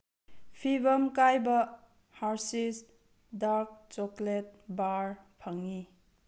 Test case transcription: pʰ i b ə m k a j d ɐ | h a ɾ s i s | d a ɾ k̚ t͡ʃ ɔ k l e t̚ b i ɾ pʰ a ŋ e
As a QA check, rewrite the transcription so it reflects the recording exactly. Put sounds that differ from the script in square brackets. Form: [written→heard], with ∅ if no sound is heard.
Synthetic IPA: pʰ i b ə m k a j [d→b] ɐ | h a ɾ s i s | d a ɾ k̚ t͡ʃ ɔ k l e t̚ b [i→a] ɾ pʰ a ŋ [e→i]